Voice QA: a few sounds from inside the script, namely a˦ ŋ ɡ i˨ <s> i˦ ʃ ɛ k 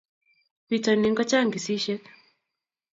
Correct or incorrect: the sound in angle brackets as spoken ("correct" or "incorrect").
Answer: correct